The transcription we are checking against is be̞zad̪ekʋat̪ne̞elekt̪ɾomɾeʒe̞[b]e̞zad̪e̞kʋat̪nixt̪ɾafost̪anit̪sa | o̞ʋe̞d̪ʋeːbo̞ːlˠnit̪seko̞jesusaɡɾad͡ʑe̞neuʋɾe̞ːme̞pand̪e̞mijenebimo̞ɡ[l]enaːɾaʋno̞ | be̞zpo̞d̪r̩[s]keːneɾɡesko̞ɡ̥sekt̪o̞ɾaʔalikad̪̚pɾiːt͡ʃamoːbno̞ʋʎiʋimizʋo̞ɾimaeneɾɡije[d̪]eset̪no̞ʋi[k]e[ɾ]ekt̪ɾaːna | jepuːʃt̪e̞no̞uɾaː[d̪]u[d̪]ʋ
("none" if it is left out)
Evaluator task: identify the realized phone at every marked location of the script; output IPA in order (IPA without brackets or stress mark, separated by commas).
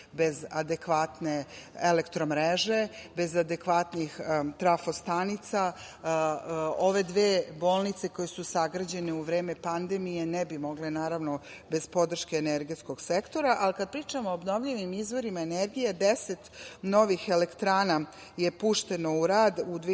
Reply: b, l, ʃ, d̪, x, l, d̪, d̪